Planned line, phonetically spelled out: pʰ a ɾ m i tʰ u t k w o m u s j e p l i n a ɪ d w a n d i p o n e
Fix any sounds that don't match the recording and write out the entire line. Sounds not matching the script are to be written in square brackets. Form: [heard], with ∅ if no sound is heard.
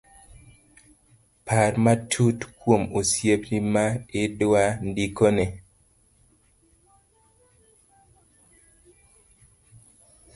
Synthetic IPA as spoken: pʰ a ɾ m [a] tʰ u t k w o m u s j e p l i [m] a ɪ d w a n d i [k] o n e